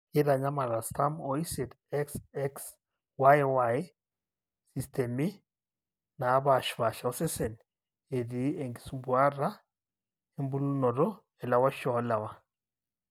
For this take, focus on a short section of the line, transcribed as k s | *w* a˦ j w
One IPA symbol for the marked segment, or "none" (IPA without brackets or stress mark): w